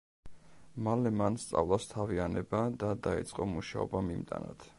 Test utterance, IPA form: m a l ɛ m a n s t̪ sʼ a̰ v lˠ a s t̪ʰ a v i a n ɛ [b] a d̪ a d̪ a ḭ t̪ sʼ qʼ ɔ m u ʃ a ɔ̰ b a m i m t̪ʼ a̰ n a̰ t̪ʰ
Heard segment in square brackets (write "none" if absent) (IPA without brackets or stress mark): b